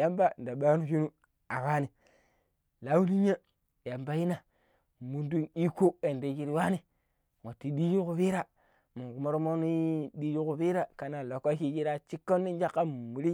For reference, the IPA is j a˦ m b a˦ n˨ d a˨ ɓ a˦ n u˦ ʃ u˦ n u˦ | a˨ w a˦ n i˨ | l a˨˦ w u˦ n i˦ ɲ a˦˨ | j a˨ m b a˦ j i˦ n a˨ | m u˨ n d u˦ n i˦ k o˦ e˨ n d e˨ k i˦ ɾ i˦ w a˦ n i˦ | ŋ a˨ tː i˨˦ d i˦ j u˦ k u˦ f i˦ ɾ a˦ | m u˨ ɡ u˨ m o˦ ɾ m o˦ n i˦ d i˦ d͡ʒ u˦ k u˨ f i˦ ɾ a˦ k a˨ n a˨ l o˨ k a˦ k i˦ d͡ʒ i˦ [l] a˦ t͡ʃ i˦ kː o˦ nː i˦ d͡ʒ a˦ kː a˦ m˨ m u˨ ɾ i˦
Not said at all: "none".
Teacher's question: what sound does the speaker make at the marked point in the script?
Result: ɾ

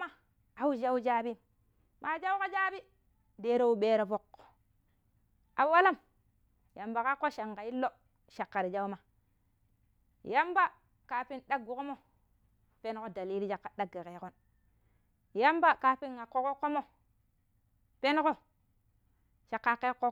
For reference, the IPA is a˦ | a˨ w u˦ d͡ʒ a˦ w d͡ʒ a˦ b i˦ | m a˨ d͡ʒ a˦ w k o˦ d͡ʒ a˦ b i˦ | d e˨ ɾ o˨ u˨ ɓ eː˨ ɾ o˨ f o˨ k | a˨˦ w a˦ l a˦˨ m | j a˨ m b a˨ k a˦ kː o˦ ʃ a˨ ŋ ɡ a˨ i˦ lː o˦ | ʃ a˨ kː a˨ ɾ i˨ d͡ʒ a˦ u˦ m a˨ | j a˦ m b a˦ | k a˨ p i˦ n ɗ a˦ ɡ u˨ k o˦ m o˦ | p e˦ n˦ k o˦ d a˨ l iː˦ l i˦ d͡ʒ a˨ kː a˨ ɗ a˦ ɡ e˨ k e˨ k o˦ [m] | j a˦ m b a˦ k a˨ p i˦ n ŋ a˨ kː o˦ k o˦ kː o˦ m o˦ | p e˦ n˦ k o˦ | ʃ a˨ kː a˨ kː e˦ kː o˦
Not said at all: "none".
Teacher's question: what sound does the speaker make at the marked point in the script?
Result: n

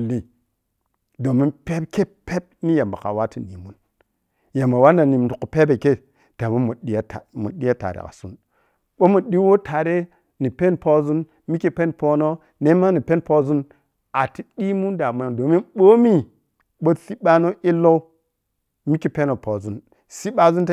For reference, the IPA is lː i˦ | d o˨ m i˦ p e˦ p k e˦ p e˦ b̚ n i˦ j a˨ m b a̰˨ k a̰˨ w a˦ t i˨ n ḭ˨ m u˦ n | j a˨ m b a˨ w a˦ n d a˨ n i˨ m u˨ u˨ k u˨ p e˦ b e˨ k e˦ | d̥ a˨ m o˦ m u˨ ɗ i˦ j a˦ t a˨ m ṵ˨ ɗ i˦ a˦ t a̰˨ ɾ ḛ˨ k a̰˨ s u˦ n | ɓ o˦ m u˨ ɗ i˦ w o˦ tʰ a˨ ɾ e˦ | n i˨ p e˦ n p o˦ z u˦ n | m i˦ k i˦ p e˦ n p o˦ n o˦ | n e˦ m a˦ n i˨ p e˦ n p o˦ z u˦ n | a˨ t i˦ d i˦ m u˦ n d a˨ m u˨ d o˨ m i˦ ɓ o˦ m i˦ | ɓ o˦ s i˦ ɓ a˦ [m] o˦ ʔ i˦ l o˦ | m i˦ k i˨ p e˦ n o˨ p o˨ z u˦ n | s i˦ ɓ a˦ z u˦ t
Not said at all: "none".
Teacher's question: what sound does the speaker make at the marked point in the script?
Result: n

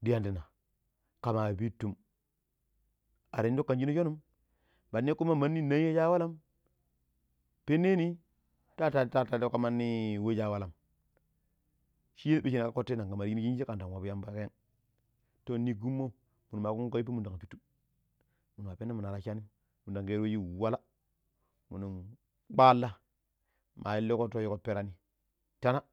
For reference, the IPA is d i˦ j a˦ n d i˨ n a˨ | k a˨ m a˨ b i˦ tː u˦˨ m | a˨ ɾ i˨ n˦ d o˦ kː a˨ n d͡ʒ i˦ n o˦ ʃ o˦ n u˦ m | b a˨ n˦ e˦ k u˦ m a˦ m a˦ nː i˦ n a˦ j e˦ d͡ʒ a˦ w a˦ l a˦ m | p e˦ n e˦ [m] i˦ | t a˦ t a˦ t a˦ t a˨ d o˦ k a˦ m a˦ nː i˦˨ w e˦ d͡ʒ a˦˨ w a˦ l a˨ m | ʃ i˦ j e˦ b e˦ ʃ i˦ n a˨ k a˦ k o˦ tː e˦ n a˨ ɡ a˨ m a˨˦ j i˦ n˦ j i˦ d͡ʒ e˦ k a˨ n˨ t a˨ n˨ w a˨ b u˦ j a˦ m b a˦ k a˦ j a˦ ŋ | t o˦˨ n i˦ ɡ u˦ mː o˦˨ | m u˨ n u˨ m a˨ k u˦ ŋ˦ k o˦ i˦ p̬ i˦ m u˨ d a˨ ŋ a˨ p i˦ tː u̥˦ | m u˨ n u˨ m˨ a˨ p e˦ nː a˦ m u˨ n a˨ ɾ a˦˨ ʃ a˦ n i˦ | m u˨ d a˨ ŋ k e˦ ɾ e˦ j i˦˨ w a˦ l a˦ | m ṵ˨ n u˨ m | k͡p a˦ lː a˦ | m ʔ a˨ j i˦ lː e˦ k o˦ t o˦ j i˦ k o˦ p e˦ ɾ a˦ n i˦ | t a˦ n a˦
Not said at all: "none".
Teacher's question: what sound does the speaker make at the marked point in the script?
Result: n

